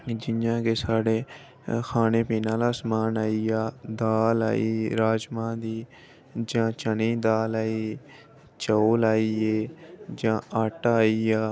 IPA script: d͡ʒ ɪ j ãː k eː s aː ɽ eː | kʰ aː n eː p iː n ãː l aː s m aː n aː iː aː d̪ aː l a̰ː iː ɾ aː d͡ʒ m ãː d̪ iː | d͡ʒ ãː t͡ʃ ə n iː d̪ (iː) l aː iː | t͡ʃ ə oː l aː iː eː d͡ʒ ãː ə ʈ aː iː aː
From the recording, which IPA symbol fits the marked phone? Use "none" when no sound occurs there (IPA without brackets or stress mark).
aː